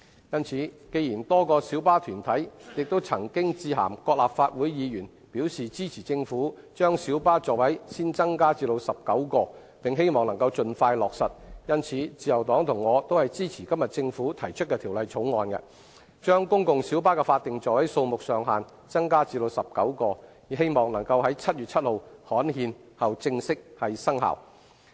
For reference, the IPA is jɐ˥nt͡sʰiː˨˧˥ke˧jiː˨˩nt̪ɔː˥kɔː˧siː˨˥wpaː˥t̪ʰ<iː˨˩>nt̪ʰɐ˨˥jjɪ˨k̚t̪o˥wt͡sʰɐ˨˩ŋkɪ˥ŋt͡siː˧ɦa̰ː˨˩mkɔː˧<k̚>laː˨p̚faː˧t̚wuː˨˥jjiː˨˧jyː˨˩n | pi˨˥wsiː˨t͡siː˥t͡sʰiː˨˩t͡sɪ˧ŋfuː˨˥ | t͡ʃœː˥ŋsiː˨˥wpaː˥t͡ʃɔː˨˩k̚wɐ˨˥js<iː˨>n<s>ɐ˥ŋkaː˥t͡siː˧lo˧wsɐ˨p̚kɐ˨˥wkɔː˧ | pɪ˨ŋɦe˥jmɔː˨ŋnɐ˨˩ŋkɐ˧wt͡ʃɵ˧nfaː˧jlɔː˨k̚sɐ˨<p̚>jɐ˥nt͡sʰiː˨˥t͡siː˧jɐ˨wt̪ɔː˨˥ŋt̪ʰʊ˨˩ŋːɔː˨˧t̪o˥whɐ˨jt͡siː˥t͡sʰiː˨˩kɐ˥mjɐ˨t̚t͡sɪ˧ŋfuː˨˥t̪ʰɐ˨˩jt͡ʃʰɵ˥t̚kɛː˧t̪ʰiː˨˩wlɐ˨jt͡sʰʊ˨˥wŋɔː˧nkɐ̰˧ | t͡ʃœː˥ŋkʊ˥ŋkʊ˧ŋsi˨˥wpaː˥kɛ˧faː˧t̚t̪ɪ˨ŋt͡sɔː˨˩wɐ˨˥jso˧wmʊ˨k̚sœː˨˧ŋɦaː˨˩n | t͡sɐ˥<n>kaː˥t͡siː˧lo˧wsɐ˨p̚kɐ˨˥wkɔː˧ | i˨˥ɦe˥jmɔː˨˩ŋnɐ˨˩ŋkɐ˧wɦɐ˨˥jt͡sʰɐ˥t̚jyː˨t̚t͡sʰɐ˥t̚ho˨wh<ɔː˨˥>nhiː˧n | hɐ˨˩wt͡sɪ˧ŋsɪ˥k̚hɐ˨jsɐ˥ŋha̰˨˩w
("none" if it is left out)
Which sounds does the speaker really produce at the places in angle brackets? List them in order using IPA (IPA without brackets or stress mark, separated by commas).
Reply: yː˨˩, k̚, iː˥, t͡s, t̚, ŋ, ɔː˨˥